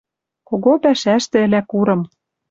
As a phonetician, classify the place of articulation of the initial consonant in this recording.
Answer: velar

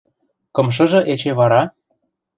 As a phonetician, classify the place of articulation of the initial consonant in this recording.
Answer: velar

